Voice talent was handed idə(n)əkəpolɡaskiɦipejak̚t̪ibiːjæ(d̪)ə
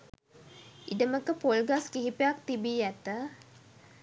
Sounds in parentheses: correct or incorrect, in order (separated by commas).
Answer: incorrect, incorrect